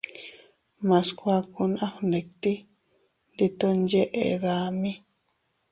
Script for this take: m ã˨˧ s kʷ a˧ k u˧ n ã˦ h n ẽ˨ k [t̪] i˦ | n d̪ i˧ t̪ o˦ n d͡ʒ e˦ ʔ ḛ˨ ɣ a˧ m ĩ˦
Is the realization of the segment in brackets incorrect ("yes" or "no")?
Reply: no